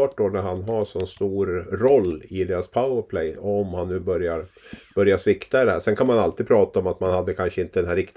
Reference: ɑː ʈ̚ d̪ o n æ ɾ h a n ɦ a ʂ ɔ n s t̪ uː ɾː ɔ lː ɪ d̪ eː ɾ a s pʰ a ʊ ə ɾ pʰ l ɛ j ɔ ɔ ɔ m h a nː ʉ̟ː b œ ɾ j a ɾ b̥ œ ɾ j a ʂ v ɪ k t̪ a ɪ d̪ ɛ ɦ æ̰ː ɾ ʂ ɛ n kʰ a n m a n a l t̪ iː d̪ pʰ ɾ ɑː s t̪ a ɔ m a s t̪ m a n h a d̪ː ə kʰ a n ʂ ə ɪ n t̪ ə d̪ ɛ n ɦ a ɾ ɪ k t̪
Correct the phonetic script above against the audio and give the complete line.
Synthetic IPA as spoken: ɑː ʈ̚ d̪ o n æ ɾ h a n ɦ a ʂ ɔ n s t̪ uː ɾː ɔ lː ɪ d̪ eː ɾ a s pʰ a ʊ ə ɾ pʰ l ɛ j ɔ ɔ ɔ m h a nː ʉ̟ː b œ ɾ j a ɾ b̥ œ ɾ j a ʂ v ɪ k t̪ a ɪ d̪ ɛ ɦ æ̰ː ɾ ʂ ɛ n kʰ a n m a n a l t̪ iː d̪ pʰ ɾ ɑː t̪ a ɔ m a t̪ m a n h a d̪ː ə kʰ a n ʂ ə ɪ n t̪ ə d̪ ɛ n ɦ æ ɾ ɪ k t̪